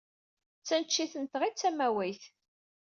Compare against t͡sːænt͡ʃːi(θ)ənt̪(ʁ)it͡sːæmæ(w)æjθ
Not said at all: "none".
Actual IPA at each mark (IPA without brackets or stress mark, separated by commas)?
θ, ʁ, w